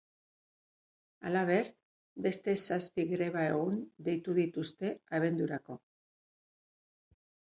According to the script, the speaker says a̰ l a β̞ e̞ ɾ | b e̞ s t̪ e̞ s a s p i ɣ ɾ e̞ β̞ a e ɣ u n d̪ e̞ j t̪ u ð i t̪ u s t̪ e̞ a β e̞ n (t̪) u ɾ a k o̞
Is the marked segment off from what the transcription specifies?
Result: yes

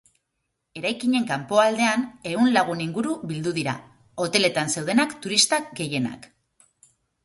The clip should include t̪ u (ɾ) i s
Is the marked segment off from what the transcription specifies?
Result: no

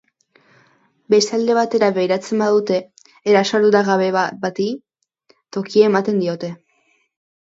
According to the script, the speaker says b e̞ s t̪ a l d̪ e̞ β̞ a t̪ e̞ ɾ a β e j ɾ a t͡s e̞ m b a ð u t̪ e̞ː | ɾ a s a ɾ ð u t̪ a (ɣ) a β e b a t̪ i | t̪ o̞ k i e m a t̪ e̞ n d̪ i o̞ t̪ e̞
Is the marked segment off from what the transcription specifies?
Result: no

